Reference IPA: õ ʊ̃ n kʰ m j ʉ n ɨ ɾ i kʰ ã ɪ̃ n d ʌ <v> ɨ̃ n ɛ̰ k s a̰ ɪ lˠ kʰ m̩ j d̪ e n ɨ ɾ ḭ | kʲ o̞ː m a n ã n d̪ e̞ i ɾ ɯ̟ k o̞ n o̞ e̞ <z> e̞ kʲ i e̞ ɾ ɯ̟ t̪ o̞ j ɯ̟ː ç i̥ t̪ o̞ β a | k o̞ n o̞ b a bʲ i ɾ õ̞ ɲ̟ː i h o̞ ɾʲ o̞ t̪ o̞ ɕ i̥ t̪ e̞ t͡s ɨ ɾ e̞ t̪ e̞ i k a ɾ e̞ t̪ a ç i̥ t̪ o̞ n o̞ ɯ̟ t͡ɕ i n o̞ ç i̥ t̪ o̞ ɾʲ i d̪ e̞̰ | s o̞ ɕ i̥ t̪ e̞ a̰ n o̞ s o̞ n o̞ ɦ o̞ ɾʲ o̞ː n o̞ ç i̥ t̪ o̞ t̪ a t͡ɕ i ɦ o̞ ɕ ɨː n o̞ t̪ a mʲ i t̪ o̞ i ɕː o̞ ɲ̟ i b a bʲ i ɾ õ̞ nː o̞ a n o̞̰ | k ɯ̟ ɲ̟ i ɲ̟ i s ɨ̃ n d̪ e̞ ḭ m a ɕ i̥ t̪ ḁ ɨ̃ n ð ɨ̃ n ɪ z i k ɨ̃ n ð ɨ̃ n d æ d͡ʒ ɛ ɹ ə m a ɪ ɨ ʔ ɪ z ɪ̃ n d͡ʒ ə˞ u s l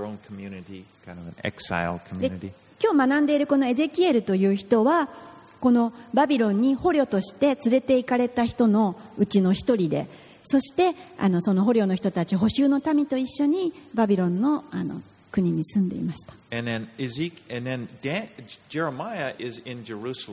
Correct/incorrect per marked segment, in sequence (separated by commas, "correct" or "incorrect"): correct, correct